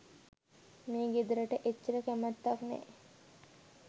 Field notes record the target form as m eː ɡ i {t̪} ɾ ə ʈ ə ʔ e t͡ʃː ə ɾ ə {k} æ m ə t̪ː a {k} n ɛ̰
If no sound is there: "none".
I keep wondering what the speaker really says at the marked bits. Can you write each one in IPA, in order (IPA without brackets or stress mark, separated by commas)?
d̪, k, k